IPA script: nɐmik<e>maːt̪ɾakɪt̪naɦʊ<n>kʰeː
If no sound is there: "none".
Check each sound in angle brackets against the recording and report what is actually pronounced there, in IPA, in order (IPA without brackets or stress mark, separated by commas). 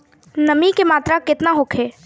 e, none